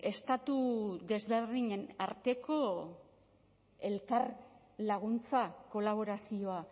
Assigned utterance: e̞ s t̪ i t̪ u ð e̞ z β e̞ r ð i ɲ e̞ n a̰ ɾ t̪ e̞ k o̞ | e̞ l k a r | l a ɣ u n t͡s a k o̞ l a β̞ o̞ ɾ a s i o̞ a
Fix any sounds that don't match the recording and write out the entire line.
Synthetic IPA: e̞ s t̪ a t̪ u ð e̞ z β e̞ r ð i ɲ e̞ n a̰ ɾ t̪ e̞ k o̞ | e̞ l k a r | l a ɣ u n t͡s a k o̞ l a β̞ o̞ ɾ a s i o̞ a

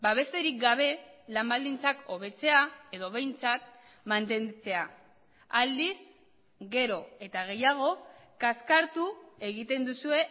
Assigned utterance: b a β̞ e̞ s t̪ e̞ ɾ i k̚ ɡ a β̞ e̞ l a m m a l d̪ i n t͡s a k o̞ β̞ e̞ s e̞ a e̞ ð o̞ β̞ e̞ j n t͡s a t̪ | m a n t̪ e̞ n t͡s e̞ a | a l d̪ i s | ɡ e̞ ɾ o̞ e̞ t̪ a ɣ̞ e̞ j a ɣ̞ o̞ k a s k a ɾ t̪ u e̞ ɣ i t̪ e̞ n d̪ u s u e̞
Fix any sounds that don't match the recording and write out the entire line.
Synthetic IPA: b a β̞ e̞ s t̪ e̞ ɾ i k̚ ɡ a β̞ e̞ l a m b a l d̪ i n t͡s a k o̞ β̞ e̞ t͡s e̞ a e̞ ð o̞ β̞ e̞ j n t͡s a t̪ | m a n t̪ e̞ n t͡s e̞ a | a l d̪ i s | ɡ e̞ ɾ o̞ e̞ t̪ a ɣ̞ e̞ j a ɣ̞ o̞ k a s k a ɾ t̪ u e̞ ɣ i t̪ e̞ n d̪ u s u e̞

